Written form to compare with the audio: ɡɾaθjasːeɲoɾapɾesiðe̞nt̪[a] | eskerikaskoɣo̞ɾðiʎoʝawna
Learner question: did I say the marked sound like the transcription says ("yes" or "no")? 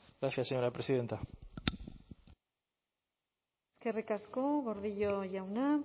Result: yes